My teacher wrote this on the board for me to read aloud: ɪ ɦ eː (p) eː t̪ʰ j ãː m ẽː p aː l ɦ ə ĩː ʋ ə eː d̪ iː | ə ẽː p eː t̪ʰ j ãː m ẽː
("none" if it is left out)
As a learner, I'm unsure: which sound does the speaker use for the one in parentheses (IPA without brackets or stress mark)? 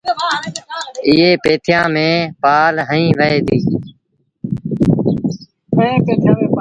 p